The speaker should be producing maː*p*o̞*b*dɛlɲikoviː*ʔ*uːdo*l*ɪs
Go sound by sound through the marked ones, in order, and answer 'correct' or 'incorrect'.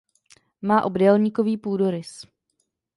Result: incorrect: ʔ, correct, incorrect: p, incorrect: ɾ

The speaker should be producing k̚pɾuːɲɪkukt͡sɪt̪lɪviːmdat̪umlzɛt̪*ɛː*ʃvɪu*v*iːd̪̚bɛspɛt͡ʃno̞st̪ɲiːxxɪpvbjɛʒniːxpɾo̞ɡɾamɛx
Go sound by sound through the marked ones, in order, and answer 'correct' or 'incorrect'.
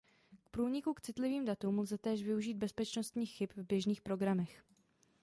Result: correct, incorrect: ʒ

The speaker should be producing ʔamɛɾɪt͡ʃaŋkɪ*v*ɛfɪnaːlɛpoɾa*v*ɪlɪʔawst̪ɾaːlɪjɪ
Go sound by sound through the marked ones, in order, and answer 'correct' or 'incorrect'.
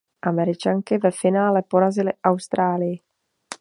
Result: correct, incorrect: z

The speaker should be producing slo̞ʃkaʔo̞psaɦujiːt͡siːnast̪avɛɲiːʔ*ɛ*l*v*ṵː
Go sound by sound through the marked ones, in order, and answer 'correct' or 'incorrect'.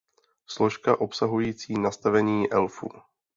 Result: correct, incorrect: f

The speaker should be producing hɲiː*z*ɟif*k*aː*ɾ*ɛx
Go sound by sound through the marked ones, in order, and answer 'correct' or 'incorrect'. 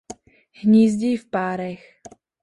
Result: correct, incorrect: p, correct

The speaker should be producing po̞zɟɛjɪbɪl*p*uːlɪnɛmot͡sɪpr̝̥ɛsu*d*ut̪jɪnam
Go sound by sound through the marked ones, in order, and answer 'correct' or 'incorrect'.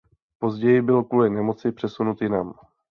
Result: incorrect: k, incorrect: n

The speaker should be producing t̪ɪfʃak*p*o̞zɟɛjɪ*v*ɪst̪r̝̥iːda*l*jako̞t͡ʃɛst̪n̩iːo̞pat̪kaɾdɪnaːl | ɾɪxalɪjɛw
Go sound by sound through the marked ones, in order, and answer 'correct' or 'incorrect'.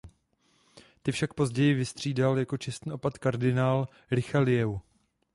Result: correct, correct, correct

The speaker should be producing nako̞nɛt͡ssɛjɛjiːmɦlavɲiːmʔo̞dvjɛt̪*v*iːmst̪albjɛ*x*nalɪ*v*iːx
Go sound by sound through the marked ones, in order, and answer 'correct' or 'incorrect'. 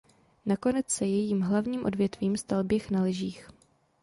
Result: correct, correct, incorrect: ʒ

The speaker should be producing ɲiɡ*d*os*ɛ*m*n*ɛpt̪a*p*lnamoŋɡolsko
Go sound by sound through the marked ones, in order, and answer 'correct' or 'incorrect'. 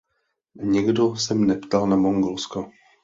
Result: correct, correct, correct, incorrect: none

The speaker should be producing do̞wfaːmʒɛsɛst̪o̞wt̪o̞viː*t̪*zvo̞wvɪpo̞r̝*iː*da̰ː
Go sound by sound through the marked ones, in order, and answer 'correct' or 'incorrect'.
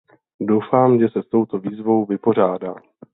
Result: incorrect: none, incorrect: aː

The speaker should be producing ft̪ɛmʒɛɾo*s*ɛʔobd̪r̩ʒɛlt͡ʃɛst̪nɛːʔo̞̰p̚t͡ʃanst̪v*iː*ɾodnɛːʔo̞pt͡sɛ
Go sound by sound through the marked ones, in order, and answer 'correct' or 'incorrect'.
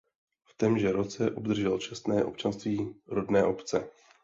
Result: incorrect: t͡s, correct

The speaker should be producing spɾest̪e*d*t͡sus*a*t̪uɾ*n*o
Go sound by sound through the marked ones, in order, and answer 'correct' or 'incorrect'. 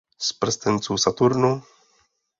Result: incorrect: n, correct, correct

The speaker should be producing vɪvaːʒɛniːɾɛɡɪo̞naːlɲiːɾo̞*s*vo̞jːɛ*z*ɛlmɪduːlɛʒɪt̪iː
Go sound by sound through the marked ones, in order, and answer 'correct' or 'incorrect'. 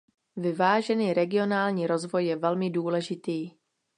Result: incorrect: z, incorrect: v

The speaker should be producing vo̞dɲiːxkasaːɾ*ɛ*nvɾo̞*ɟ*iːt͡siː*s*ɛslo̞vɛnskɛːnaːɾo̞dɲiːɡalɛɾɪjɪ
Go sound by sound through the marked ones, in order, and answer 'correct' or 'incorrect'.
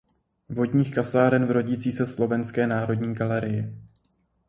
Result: correct, correct, correct

